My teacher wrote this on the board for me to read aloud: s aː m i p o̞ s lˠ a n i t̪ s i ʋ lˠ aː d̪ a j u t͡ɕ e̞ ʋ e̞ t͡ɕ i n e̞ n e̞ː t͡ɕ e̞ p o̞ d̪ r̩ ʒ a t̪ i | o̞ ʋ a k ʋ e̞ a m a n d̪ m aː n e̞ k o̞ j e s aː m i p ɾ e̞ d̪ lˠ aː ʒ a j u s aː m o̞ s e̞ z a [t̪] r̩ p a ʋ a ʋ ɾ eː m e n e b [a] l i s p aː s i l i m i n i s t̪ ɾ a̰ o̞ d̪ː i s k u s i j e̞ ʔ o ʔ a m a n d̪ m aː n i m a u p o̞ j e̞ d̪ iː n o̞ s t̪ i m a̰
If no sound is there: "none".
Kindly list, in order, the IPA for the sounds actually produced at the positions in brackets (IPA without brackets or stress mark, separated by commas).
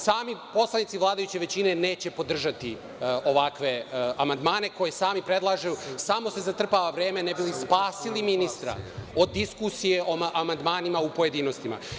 t̪, i